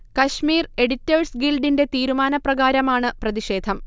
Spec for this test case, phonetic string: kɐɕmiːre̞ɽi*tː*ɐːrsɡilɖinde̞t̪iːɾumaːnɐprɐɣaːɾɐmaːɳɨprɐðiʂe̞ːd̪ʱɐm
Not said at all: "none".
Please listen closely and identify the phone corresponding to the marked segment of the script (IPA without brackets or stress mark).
tː